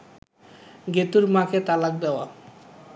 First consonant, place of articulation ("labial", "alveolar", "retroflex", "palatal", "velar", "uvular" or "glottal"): velar